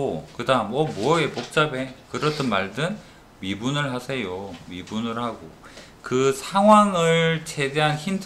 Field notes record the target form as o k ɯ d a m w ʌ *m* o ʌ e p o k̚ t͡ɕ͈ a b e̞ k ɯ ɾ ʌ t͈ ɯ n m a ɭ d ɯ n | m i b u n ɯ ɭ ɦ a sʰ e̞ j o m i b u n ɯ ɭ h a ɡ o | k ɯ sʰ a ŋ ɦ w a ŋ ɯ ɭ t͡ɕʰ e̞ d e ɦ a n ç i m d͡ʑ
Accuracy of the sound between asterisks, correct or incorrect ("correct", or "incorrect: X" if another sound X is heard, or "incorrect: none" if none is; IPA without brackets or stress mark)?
correct